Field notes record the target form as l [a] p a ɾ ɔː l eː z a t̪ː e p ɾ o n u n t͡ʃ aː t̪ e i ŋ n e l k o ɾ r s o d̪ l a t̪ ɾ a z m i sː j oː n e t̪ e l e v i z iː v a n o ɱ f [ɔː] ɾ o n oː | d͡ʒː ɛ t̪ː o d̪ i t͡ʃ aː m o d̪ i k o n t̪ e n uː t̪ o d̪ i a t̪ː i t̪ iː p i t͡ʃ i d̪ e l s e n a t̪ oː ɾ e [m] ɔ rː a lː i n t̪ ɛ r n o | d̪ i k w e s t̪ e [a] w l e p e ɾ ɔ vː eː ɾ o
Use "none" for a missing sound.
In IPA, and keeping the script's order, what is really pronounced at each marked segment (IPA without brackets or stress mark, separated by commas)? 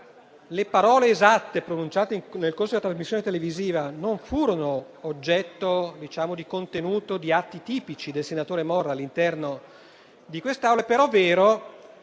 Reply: e, uː, m, a